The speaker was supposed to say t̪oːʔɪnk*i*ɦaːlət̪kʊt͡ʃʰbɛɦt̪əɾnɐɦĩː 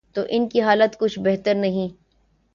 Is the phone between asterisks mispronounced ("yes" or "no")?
no